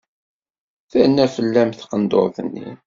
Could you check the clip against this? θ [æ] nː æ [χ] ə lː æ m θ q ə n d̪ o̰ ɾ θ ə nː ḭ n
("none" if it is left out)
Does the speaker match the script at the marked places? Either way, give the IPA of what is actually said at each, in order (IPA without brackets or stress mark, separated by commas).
æ, f